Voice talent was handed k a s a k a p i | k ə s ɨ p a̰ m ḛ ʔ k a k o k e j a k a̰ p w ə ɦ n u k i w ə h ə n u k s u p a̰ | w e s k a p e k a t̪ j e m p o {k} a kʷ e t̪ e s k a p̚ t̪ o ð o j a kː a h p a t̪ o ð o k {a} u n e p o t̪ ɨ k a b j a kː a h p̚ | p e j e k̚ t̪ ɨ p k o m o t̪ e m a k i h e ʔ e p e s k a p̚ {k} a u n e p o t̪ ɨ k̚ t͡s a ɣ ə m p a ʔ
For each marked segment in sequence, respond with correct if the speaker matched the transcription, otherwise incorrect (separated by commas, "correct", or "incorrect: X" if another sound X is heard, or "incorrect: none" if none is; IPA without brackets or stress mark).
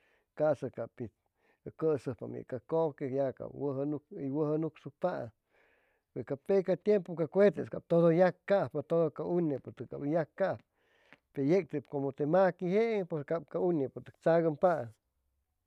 correct, correct, correct